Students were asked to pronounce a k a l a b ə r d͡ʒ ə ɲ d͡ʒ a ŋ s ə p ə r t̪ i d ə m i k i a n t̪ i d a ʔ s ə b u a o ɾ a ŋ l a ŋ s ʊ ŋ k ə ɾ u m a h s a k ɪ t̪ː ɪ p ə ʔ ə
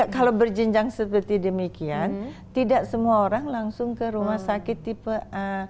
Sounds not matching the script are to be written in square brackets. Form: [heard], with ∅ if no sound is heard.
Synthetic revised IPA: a k a l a b ə r d͡ʒ ə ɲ d͡ʒ a ŋ s ə p ə r t̪ i d ə m i k i a n t̪ i d a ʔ s ə [m] u a o ɾ a ŋ l a ŋ s ʊ ŋ k ə ɾ u m a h s a k ɪ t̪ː [i] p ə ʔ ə

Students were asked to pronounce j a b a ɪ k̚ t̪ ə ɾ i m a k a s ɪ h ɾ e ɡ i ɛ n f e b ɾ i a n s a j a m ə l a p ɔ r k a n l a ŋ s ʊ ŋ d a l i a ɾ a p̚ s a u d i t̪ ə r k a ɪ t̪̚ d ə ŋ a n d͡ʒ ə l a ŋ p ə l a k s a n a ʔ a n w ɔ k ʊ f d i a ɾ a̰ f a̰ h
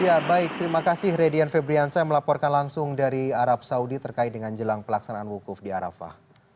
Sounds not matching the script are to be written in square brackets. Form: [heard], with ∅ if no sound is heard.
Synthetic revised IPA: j a b a ɪ k̚ t̪ ə ɾ i m a k a s ɪ h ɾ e [d] i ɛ n f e b ɾ i a n s a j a m ə l a p ɔ r k a n l a ŋ s ʊ ŋ d a [ɾ] i a ɾ a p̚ s a u d i t̪ ə r k a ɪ t̪̚ d ə ŋ a n d͡ʒ ə l a ŋ p ə l a k s a n a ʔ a n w [u] k ʊ f d i a ɾ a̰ f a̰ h

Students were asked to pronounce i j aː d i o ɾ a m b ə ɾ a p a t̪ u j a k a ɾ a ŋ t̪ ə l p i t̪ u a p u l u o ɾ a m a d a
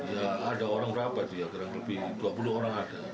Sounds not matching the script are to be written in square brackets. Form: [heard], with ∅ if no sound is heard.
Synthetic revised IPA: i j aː d [a] o ɾ a [ŋ] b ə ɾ a p a t̪ u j a k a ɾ a ŋ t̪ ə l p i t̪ u a p u l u o ɾ a [ŋ] a d a

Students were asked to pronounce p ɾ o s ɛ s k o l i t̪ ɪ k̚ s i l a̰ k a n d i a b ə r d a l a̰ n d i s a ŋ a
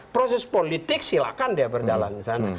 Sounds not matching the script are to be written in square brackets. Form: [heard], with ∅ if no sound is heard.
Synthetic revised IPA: p ɾ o s ɛ s [p] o l i t̪ ɪ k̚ s i l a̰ k a n d i a b ə r [d͡ʒ] a l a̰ n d i s a [n] a

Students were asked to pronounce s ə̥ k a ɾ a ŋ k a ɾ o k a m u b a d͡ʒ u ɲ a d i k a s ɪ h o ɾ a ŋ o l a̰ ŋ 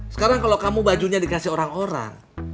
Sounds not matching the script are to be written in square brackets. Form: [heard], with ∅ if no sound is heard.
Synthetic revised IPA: s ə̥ k a ɾ a ŋ k a [l] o k a m u b a d͡ʒ u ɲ a d i k a s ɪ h o ɾ a ŋ o [ɾ] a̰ ŋ

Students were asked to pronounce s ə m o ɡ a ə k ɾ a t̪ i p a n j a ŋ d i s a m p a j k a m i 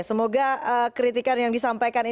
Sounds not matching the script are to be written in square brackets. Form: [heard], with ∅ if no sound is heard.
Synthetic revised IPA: s ə m o ɡ a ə k ɾ [i] t̪ i [k] a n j a ŋ d i s a m p a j k a [n] i

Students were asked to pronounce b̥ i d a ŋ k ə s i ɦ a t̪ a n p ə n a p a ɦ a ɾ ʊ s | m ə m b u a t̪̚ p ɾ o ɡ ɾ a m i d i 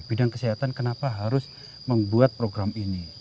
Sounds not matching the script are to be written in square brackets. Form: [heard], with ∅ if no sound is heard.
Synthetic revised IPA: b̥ i d a ŋ k ə s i ɦ a t̪ a n [k] ə n a p a ɦ a ɾ ʊ s | m ə m b u a t̪̚ p ɾ o ɡ ɾ a m i [n] i

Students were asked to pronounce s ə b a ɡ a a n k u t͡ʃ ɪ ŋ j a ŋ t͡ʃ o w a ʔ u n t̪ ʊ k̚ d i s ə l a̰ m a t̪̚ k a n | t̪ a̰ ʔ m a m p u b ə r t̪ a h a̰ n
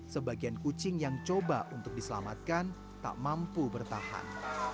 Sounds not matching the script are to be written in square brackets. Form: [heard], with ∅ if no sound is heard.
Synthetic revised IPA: s ə b a ɡ [i] a n k u t͡ʃ ɪ ŋ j a ŋ t͡ʃ o [b] a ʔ u n t̪ ʊ k̚ d i s ə l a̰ m a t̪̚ k a n | t̪ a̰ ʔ m a m p u b ə r t̪ a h a̰ n

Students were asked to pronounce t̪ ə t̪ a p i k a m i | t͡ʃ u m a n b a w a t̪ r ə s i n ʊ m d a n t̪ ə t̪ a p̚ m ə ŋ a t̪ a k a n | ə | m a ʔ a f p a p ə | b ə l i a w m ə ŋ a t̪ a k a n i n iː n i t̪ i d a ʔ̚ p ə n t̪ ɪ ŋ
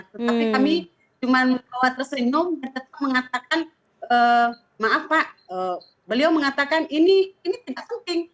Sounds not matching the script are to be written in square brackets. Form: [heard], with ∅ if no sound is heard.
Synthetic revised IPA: t̪ ə t̪ a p i k a m i | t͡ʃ u m a n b a w a t̪ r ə s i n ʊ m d a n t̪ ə t̪ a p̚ m ə ŋ a t̪ a k a n | ə | m a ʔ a f p a [ʔ] ə | b ə l i a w m ə ŋ a t̪ a k a n i n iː n i t̪ i d a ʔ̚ p ə n t̪ ɪ ŋ

